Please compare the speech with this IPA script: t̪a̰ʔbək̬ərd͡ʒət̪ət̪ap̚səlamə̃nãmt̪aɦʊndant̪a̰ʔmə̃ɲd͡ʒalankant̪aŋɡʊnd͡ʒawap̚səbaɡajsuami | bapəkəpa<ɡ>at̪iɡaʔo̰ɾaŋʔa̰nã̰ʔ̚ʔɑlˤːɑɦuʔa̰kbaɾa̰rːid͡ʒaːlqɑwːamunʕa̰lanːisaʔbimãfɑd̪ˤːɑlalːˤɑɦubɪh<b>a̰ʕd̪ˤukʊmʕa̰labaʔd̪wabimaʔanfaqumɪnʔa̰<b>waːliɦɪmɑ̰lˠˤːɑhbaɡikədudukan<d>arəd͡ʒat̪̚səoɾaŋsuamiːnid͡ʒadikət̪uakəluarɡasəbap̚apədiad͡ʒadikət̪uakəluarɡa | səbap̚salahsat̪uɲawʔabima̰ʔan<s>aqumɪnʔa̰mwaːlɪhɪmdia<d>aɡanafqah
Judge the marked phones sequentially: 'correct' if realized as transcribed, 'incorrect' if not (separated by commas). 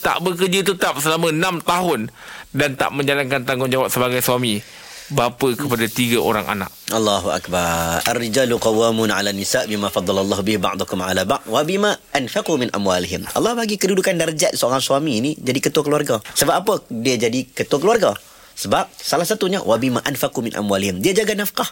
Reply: incorrect, correct, incorrect, correct, incorrect, incorrect